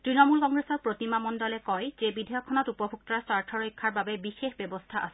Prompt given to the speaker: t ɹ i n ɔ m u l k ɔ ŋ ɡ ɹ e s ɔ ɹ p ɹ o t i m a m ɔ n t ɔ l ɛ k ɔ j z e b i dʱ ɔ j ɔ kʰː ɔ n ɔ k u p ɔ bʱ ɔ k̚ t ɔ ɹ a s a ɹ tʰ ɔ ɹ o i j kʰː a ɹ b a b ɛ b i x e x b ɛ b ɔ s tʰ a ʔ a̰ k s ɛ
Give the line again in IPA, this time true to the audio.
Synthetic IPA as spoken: t ɹ i n ɔ m u l k ɔ ŋ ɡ ɹ e s ɔ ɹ p ɹ o t i m a m ɔ n d ɔ l ɛ k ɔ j z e b i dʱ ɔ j ɔ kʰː ɔ n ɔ t u p ɔ bʱ u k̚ t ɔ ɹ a s a ɹ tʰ ɔ ɹ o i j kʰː a ɹ b a b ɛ b i x e x b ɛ b ɔ s tʰ a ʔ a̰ s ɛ